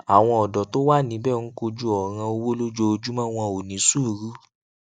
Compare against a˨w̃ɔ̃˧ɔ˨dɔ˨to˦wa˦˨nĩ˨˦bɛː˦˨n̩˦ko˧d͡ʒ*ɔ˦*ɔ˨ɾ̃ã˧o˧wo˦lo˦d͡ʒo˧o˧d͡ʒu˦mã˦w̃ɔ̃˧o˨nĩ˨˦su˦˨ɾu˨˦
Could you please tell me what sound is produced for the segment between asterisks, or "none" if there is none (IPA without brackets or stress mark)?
u˦